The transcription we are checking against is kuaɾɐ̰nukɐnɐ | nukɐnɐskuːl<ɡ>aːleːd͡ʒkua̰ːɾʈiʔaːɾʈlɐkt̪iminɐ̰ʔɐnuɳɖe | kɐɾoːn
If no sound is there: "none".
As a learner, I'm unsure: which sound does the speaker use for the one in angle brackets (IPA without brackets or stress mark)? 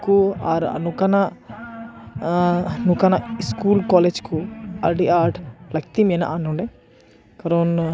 k